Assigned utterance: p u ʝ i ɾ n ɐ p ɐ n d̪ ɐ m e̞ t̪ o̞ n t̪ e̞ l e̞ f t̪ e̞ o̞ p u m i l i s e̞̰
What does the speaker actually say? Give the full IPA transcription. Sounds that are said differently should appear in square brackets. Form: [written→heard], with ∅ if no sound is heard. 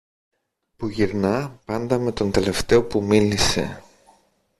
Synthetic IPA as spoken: p u ʝ i ɾ n ɐ p ɐ n d̪ ɐ m e̞ t̪ o̞ n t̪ e̞ l e̞ f t̪ e̞ o̞ p u m i l i s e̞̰